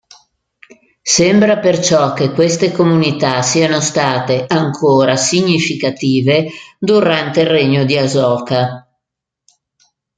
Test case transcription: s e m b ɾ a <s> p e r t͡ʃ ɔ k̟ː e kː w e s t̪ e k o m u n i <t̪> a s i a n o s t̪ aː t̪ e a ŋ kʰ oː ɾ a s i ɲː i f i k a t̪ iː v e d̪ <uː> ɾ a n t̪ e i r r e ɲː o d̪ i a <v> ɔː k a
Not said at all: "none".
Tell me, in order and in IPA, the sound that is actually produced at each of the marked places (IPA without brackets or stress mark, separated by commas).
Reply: none, t̪, u, z